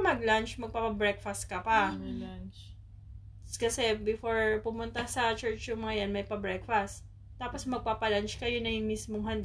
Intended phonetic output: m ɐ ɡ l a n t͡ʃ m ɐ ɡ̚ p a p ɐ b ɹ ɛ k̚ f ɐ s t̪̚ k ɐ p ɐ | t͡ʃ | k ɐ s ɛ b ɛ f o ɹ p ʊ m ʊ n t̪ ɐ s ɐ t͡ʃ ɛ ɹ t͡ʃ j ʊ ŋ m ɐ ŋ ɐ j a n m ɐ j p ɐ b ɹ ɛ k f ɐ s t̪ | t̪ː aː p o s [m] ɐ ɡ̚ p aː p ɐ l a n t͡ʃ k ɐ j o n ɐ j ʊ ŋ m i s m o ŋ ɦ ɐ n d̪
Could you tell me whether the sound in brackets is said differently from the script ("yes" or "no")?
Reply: no